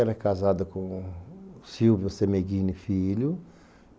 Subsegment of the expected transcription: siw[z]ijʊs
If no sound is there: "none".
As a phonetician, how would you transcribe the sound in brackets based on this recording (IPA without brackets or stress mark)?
v